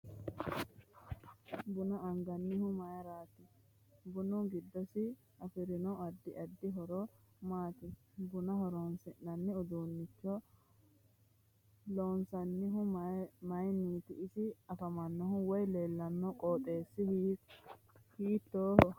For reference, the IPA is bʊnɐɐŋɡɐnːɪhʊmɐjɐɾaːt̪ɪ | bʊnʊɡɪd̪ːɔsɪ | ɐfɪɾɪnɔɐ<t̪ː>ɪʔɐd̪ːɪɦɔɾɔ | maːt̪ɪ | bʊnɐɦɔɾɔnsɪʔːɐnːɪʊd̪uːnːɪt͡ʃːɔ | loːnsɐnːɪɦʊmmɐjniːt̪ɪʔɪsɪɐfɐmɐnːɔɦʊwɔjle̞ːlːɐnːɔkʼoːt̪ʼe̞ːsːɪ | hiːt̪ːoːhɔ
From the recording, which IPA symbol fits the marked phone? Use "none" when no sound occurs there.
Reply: d̪ː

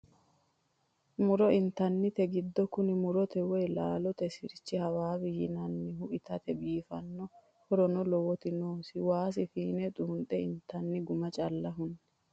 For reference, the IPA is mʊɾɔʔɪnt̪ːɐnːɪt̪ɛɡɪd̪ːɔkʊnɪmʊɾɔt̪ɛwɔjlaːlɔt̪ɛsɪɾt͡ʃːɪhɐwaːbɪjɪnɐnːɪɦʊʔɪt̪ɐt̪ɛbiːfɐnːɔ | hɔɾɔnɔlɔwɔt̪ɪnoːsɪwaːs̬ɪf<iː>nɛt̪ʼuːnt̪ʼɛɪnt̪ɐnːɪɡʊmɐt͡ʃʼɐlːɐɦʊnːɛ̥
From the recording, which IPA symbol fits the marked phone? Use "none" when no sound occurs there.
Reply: iː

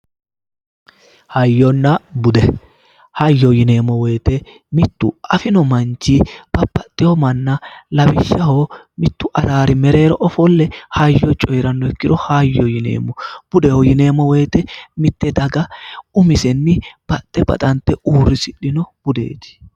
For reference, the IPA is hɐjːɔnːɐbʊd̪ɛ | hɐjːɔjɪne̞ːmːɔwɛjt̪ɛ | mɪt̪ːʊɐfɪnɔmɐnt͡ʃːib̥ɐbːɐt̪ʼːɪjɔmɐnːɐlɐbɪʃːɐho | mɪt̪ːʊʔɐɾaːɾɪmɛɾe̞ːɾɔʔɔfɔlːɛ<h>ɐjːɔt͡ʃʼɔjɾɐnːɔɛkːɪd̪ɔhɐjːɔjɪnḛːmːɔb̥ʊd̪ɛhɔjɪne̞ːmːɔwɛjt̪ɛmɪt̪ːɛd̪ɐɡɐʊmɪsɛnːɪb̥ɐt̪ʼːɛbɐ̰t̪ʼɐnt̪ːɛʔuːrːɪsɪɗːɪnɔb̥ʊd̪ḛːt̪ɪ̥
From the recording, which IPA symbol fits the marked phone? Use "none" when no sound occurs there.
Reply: h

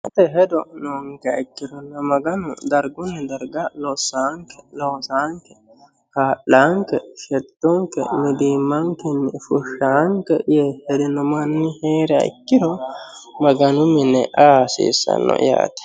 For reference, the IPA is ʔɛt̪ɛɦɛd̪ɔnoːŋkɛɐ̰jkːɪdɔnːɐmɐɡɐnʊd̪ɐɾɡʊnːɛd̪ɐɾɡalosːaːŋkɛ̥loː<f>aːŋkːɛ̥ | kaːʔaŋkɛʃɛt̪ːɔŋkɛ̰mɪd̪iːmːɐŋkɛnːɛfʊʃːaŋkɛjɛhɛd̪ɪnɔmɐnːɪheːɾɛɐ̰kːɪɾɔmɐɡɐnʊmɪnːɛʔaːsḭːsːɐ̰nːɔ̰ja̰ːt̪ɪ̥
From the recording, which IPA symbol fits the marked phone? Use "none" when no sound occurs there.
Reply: s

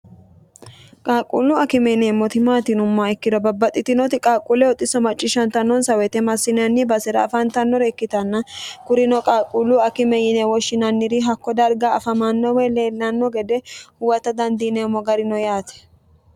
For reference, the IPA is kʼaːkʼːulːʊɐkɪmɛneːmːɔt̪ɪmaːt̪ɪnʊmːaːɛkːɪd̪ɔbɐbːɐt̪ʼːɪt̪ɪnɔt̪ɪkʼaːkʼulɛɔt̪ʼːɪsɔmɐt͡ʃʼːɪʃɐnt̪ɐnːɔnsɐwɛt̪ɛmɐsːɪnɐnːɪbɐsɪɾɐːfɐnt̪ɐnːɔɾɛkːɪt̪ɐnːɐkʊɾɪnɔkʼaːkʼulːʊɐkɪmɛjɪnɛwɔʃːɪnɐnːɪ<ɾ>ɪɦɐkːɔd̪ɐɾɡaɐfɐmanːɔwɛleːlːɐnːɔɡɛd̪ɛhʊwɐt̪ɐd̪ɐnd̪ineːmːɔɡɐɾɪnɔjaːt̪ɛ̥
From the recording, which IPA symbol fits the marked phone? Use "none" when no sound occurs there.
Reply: ɾ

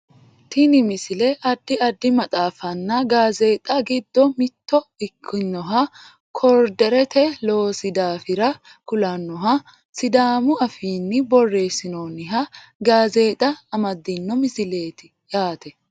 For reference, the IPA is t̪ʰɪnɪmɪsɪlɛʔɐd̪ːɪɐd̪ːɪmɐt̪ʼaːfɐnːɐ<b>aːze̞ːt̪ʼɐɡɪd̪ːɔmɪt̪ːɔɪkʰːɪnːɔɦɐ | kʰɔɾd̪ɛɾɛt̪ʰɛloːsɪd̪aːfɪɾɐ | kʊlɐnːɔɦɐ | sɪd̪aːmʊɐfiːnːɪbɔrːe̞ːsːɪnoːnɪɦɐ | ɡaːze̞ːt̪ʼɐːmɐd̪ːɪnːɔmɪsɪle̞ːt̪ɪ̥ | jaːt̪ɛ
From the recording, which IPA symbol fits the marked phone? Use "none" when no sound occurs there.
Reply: ɡ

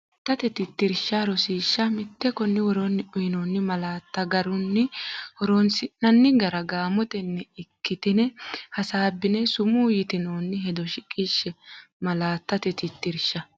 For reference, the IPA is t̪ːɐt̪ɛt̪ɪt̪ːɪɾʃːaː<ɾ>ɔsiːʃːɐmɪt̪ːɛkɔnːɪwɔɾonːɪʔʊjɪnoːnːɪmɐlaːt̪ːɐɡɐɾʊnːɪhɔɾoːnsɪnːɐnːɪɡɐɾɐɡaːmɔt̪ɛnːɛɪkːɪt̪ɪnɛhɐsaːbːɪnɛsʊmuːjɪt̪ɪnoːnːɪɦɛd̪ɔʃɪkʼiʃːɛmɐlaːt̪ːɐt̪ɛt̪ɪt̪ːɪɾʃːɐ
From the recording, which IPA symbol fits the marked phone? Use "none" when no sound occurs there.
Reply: ɾ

